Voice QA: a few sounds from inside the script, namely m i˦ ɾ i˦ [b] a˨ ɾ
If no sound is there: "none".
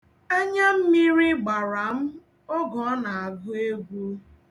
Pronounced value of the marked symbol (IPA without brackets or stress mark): ɡ͡b